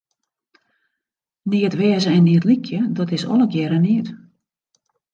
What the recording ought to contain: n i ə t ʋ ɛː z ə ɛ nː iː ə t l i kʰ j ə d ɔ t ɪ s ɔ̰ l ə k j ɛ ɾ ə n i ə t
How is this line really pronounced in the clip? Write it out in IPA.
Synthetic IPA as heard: n i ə t ʋ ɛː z ə ɛ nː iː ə t l i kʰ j ə d ɔ t ɪ s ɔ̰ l ə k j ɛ ɾ ə n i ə t